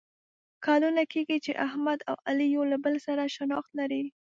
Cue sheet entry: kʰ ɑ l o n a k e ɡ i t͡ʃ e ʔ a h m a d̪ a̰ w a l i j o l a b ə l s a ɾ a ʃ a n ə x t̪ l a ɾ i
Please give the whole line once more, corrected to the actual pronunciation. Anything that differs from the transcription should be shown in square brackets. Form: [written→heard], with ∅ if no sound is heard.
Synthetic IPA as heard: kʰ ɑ l [o→u] n a k e ɡ i t͡ʃ e ʔ a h m a d̪ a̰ w a l i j o l a b ə l s a ɾ a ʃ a n [ə→ɑ] x t̪ l a ɾ i